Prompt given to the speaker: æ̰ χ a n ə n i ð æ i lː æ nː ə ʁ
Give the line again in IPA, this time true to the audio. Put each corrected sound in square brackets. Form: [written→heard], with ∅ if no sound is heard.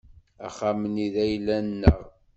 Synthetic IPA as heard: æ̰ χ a [n→m] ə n i ð æ [i→j] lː æ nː ə ʁ